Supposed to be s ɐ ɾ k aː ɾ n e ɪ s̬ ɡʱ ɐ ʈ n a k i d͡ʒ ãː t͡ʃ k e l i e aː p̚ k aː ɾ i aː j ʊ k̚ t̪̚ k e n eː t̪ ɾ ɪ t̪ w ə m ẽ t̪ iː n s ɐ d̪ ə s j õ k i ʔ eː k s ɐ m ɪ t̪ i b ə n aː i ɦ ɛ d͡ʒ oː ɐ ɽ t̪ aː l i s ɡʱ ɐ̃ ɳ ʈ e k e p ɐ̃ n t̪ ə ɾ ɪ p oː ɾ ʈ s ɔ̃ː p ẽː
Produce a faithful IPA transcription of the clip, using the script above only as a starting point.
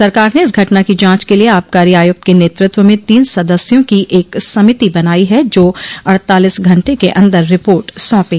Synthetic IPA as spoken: s ɐ ɾ k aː ɾ n e ɪ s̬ ɡʱ ɐ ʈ n a k i d͡ʒ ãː t͡ʃ k e l i e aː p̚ k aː ɾ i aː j ʊ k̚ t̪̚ k e n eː t̪ ɾ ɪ t̪ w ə m ẽ t̪ iː n s ɐ d̪ ə s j õ k i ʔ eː k s ɐ m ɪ t̪ i b ɐ n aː i ɦ ɛ d͡ʒ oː ɐ ɽ t̪ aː l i s ɡʱ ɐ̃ ɳ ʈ e k e ʔ ɐ̃ n d̪ ə ɾː ɪ p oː ɾ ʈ s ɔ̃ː p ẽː

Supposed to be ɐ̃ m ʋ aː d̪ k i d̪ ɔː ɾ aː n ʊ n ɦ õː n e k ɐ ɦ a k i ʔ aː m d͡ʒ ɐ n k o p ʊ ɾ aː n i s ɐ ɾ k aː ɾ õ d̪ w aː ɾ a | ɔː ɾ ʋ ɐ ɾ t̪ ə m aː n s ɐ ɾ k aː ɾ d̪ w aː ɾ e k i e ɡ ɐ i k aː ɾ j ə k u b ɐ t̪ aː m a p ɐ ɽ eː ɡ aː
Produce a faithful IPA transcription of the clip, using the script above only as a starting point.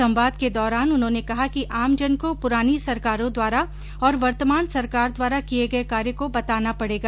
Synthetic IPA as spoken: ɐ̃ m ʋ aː d̪ k e d̪ ɔː ɾ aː n ʊ n ɦ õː n e k ɐ ɦ a k i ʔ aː m d͡ʒ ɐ n k o p ʊ ɾ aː n i s ɐ ɾ k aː ɾ õ d̪ w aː ɾ a | ɔː ɾ ʋ ɐ ɾ t̪ ə m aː n s ɐ ɾ k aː ɾ d̪ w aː ɾ a k i e ɡ ɐ e k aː ɾ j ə k o b ɐ t̪ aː n a p ɐ ɽ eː ɡ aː

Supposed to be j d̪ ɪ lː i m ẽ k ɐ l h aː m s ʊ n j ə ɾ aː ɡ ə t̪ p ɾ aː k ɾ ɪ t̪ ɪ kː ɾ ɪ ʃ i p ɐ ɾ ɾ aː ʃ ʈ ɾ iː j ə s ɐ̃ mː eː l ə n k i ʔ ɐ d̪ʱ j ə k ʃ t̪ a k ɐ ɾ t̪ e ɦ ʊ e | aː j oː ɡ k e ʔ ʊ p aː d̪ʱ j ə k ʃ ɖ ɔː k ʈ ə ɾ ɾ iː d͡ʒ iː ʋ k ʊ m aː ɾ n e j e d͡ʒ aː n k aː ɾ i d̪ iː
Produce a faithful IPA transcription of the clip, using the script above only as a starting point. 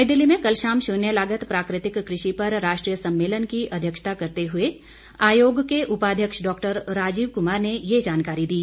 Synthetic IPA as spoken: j d̪ ɪ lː i m ẽ k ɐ l ʃ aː m ʃ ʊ n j ə l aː ɡ ə t̪ p ɾ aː k ɾ ɪ t̪ ɪ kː ɾ ɪ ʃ i p ɐ ɾ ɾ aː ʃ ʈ ɾ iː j ə s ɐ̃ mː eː l ə n k i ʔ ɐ d̪ʱ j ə k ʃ t̪ a k ɐ ɾ t̪ e ɦ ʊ e | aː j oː ɡ k e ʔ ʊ p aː d̪ʱ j ə k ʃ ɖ ɔː k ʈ ə ɾ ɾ aː d͡ʒ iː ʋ k ʊ m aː ɾ n e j e d͡ʒ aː n k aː ɾ i d̪ iː

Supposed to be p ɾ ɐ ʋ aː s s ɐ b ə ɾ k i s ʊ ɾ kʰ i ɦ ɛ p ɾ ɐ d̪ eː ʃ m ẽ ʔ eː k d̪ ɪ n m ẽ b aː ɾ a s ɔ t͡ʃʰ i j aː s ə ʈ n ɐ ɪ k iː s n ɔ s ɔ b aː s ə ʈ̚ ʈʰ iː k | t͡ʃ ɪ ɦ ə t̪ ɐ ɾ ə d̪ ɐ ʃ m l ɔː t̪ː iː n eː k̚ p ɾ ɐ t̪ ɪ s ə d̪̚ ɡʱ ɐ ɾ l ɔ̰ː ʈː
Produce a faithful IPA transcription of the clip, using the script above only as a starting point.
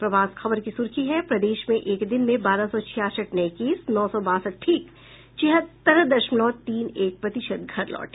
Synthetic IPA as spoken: p ɾ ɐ ʋ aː s x ɐ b ə ɾ k i s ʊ ɾ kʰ i ɦ ɛ p ɾ ɐ d̪ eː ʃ m ẽ ʔ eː k d̪ ɪ n m ẽ b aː ɾ a s ɔ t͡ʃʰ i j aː s ə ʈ n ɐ ɪ k iː s n ɔː s ɔ b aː s ə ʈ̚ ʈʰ iː k | t͡ʃ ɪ ɦ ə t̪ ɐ ɾ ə d̪ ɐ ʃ m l ɔː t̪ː iː n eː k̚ p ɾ ɐ t̪ ɪ ʃ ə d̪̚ ɡʱ ɐ ɾ l ɔ̰ː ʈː

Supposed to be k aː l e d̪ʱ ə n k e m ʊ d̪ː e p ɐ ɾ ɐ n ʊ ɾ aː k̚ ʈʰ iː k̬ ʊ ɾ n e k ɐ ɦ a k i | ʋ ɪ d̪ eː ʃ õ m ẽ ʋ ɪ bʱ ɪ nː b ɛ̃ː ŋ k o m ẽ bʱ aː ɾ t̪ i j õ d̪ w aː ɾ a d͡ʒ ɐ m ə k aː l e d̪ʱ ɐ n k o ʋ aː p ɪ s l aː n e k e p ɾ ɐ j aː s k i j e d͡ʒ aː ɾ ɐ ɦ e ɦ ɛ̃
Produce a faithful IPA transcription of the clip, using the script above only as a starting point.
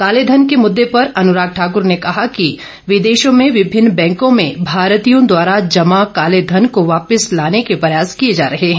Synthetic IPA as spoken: k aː l e d̪ʱ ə n k e m ʊ d̪ː e p ɐ ɾ ɐ n ʊ ɾ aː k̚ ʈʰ aː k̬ ʊ ɾ n e k ɐ ɦ a k i | ʋ ɪ d̪ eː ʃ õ m ẽ ʋ ɪ bʱ ɪ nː b ɛ̃ː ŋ k õ m ẽ bʱ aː ɾ t̪ i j õ d̪ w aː ɾ a d͡ʒ ɐ m a k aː l e d̪ʱ ɐ n k o ʋ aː p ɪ s l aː n e k e p ɾ ɐ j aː s k i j e d͡ʒ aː ɾ ɐ ɦ e ɦ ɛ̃

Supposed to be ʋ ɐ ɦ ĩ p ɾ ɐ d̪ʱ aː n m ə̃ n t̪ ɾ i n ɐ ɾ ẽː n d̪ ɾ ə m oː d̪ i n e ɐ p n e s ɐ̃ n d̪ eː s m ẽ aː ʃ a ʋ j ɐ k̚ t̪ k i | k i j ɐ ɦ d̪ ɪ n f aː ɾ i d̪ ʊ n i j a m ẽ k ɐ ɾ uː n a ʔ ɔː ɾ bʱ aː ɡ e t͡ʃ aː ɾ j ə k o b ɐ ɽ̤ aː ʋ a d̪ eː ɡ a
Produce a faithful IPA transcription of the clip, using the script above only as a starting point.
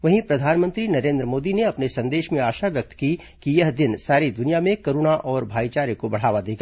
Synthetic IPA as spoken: ʋ ɐ ɦ ĩ p ɾ ɐ d̪ʱ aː n m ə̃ n t̪ ɾ i n ɐ ɾ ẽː n d̪ ɾ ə m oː d̪ i n e ɐ p n e s ɐ̃ n d̪ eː ʃ m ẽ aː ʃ a ʋ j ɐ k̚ t̪ k i | k i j ɐ ɦ d̪ ɪ n s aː ɾ i d̪ ʊ n i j a m ẽ k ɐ ɾ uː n a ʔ ɔː ɾ bʱ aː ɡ i t͡ʃ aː ɾ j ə k o b ɐ ɽ̤ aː ʋ a d̪ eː ɡ a

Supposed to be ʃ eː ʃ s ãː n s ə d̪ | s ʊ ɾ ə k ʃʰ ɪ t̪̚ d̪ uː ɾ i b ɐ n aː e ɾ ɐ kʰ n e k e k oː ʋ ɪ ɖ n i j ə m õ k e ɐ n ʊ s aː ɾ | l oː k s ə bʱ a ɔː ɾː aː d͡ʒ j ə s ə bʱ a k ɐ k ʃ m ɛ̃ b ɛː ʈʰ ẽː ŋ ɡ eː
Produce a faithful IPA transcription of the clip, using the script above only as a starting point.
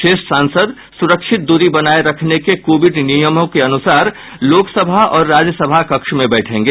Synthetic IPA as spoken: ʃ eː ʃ s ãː n s ə d̪ | s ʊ ɾ ə k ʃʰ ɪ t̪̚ d̪ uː ɾ i b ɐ n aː e ɾ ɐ kʰ n e k e k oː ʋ ɪ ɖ n i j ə m õ k e ɐ n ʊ s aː ɾ | l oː k s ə bʱ a ɔː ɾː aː d͡ʒ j ə s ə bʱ a k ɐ k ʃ m ẽ b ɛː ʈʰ ẽː ŋ ɡ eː

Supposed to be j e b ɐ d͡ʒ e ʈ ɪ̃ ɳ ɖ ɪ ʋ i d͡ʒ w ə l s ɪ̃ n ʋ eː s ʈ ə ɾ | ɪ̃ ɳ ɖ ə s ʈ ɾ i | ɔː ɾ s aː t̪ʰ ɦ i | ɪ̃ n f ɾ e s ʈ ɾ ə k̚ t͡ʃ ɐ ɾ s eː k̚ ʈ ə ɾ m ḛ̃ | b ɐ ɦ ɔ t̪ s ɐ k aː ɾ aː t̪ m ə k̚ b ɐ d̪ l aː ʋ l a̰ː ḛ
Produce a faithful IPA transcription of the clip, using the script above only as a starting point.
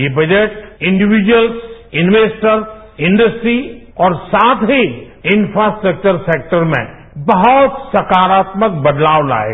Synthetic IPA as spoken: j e b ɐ d͡ʒ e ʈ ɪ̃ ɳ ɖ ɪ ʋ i d͡ʒ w ə l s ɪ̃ n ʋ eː s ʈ ə ɾ | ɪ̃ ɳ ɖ ə s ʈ ɾ i | ɔː ɾ s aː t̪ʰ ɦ i | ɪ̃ n f ɾ a s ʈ ɾ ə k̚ t͡ʃ ə ɾ s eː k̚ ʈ ə ɾ m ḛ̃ | b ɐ ɦ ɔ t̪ s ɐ k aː ɾ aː t̪ m ə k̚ b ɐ d̪ l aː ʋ l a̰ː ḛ

